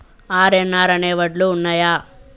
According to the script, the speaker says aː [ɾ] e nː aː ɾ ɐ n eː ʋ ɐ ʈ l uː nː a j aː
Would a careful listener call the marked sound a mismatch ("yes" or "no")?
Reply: no